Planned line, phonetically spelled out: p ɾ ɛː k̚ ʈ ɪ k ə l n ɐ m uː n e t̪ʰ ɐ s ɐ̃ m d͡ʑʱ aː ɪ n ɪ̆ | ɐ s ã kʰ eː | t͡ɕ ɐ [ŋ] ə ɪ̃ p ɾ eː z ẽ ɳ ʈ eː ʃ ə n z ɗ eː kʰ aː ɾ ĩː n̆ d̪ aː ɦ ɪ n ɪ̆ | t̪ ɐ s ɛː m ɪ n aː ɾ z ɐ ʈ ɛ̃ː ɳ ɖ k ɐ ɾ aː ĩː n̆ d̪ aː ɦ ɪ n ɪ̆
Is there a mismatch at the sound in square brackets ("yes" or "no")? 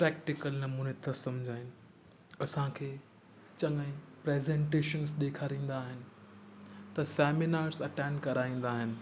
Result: no